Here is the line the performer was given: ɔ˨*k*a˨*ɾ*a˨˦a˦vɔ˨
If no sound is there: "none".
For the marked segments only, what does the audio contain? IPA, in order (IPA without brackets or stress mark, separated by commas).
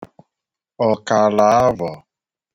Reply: k, l